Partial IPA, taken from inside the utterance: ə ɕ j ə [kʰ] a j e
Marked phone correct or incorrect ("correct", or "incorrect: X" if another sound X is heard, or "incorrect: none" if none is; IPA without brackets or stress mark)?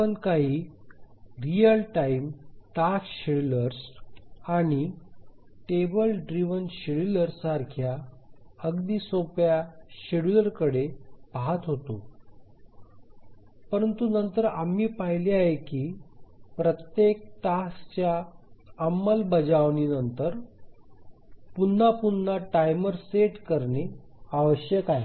incorrect: k